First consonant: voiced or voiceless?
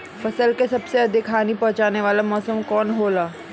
voiceless